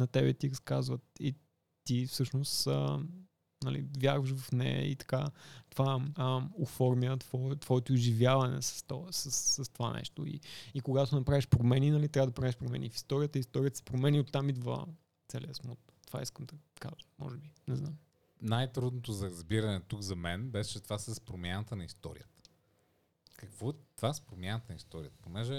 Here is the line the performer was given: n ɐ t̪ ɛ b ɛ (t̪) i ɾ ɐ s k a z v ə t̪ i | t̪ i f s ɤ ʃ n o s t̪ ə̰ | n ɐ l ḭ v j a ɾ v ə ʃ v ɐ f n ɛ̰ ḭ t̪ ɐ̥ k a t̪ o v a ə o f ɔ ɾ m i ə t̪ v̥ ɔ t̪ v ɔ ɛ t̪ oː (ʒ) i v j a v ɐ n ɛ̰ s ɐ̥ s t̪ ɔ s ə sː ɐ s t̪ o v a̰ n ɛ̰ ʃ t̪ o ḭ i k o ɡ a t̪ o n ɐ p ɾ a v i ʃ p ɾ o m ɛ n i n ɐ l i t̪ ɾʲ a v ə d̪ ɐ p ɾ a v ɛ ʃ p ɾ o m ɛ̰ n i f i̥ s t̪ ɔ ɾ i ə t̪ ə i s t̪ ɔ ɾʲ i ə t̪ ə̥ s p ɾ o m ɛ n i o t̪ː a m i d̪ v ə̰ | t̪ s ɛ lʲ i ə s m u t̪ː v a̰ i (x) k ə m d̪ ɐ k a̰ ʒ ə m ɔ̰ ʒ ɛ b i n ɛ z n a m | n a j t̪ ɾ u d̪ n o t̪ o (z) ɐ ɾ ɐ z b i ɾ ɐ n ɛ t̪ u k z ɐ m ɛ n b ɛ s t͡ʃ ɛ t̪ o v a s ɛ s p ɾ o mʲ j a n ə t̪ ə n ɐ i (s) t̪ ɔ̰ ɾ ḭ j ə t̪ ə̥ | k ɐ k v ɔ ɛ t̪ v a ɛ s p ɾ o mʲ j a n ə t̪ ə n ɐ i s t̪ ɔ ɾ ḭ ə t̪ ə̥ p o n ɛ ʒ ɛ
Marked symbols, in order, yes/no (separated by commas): yes, yes, no, yes, yes